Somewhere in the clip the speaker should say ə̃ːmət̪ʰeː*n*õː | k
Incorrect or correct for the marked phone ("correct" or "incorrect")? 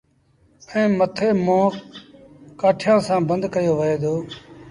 incorrect